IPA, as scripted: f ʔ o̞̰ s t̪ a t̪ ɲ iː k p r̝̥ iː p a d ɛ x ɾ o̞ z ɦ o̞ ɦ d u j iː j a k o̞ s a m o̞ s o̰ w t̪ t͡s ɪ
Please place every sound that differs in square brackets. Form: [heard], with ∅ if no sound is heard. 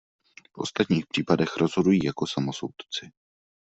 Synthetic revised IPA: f ʔ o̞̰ s t̪ a t̪ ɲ iː [x] p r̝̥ iː p a d ɛ x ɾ o̞ z ɦ o̞ [∅] d u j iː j a k o̞ s a m o̞ s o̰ w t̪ t͡s ɪ